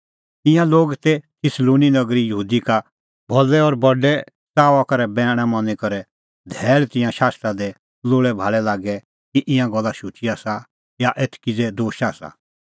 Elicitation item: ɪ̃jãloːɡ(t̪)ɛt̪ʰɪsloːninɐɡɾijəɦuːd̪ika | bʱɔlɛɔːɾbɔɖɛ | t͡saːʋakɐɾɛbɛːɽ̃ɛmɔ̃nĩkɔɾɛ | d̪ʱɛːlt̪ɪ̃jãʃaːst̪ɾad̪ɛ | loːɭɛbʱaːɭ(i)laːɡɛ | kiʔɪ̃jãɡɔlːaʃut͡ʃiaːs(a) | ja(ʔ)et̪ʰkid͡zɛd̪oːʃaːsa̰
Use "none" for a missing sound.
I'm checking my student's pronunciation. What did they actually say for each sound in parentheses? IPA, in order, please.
t̪, ɛ, a, ʔ

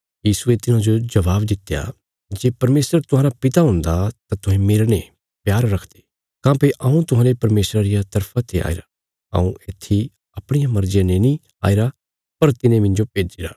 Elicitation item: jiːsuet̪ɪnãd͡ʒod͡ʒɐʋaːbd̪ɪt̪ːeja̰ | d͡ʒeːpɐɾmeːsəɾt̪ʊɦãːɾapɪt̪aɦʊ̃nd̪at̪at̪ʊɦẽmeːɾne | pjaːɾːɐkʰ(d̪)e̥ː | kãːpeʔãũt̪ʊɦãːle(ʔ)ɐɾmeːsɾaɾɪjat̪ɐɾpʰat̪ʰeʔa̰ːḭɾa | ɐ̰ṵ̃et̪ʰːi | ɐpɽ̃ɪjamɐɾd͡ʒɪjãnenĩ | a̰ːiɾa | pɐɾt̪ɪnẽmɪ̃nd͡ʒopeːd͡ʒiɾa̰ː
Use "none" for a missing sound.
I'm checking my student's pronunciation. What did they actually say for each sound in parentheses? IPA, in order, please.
d̪, p

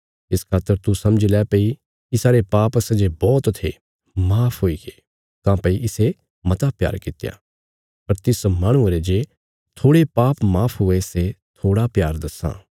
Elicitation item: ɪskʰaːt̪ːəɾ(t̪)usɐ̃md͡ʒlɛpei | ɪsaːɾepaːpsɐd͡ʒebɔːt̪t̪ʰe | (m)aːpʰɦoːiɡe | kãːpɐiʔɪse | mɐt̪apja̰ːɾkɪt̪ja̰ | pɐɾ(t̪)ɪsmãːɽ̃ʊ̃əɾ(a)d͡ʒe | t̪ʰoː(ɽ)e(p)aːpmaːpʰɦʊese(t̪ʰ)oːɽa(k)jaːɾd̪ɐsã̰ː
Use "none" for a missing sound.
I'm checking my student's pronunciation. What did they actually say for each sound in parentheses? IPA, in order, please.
t̪, m, t̪, e, ɽ, p, t̪ʰ, p

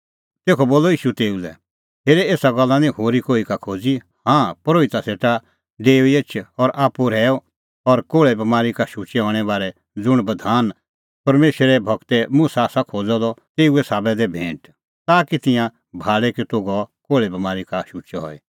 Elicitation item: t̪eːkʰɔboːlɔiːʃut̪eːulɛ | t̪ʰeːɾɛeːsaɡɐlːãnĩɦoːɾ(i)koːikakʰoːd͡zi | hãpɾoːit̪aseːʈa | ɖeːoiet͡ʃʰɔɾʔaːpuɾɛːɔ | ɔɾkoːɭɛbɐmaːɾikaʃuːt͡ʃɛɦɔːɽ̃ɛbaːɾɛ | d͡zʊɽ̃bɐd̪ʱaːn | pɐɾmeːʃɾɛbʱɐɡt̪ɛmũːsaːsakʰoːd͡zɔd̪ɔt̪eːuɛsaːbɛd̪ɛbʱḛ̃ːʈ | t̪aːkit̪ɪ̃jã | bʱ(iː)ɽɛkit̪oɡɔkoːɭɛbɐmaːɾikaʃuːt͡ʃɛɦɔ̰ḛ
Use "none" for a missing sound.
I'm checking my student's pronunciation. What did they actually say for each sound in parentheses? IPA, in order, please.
i, aː

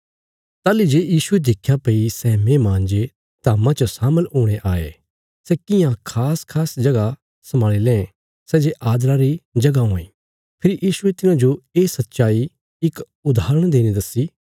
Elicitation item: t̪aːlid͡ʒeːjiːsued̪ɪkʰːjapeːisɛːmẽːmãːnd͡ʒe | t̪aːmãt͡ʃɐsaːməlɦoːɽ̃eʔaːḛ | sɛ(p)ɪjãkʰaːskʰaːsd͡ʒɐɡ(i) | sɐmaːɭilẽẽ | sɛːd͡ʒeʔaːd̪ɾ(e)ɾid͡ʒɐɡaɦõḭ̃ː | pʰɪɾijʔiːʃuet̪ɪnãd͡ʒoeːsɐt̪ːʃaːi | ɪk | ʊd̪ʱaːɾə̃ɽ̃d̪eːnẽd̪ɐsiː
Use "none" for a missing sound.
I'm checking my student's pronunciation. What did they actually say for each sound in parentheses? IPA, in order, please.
k, a, a

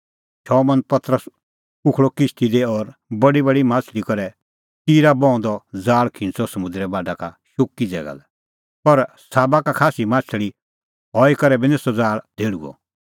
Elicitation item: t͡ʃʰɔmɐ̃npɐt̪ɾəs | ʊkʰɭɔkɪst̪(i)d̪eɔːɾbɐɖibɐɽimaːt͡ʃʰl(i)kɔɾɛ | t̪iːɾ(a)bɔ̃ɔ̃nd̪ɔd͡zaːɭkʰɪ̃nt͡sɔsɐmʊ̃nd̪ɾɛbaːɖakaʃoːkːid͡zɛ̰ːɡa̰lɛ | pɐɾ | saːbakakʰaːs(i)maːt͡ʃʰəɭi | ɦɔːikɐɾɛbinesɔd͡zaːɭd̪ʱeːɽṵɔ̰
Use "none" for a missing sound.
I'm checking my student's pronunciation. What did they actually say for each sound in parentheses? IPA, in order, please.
i, i, a, i

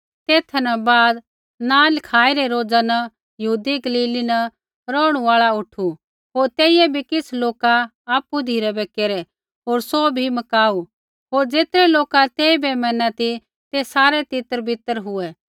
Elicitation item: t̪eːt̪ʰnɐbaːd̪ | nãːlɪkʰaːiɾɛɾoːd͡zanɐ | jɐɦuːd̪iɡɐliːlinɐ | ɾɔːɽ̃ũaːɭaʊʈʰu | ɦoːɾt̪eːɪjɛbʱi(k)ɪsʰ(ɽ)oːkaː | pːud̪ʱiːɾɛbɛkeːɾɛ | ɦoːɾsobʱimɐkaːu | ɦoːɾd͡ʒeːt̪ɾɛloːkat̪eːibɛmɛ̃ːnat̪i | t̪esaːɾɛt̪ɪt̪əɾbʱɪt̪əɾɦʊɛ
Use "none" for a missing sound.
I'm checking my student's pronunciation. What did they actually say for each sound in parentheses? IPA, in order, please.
k, l

